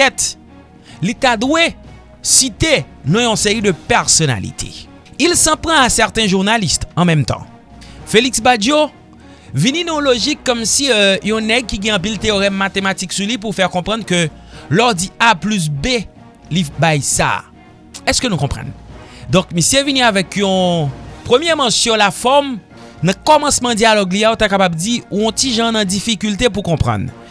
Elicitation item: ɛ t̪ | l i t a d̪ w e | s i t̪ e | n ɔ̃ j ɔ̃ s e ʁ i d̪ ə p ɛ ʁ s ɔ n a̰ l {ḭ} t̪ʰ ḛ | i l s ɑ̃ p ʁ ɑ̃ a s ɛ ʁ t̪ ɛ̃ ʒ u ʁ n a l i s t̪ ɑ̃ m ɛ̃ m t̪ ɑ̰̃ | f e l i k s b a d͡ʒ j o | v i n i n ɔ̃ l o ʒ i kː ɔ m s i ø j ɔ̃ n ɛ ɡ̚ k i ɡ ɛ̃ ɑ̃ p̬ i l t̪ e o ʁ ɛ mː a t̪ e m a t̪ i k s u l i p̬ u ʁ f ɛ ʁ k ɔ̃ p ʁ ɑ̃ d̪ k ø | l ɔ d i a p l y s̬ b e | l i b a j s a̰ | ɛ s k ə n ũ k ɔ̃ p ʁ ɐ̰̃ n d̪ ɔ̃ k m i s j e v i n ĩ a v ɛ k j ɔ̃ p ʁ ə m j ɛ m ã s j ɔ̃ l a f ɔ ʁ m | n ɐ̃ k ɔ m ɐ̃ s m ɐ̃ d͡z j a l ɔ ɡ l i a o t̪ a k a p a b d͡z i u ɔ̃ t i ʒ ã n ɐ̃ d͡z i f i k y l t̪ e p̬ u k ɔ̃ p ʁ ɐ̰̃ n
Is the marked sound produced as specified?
yes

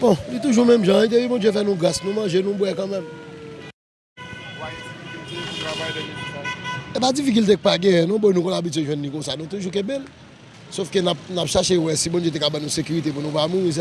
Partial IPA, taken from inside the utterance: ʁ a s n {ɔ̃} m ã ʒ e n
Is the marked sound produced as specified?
no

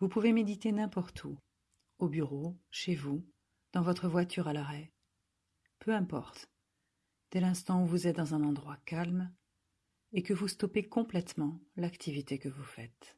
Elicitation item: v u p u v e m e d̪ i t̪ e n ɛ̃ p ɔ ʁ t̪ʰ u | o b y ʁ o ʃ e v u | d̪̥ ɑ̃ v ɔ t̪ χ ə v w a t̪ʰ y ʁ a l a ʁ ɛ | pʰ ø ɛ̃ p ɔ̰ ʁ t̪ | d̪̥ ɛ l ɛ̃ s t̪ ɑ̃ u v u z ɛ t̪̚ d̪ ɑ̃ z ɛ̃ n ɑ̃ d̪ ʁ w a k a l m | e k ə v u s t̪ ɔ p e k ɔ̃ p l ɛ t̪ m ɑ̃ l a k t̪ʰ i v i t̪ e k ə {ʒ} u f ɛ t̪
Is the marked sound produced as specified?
no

